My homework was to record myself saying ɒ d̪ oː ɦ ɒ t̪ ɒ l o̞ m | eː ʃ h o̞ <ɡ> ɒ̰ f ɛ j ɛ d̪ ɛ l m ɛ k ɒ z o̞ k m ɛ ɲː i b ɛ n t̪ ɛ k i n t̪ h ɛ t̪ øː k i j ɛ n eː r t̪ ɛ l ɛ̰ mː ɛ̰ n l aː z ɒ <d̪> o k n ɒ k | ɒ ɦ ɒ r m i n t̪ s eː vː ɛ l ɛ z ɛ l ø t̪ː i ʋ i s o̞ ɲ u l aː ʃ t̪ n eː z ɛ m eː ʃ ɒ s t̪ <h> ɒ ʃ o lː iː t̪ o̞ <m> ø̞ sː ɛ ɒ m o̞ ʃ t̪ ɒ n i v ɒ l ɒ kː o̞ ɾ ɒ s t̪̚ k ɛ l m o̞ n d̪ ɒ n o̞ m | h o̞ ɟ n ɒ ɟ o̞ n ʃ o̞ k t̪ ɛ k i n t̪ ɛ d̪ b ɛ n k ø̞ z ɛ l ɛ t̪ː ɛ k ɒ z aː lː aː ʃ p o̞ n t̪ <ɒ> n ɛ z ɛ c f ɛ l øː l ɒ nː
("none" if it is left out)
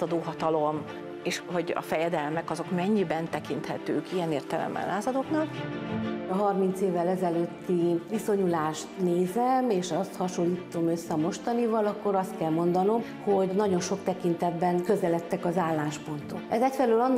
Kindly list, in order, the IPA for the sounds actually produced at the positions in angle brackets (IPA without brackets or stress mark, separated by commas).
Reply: ɟ, d̪, h, m, o